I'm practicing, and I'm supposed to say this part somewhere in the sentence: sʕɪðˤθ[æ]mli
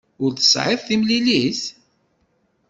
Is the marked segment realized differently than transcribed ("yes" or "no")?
yes